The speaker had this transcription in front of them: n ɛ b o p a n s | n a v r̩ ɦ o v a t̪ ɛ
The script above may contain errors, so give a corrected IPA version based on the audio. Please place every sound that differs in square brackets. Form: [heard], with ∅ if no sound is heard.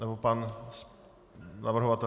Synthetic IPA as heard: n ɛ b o p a n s | n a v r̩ ɦ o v a t̪ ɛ